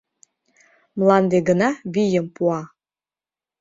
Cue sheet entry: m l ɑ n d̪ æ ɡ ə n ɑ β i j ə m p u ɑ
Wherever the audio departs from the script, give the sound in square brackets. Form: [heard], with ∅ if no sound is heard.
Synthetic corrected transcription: m l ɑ n d̪ [e] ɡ ə n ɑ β i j ə m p u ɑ